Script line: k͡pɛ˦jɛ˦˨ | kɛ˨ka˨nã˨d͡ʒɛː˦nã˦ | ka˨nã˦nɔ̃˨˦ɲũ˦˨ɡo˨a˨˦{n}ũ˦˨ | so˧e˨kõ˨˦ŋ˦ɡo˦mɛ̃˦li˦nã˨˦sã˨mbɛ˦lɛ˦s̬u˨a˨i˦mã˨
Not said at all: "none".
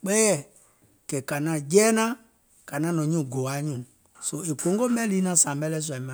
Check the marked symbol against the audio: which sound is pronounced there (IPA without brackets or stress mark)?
ɲ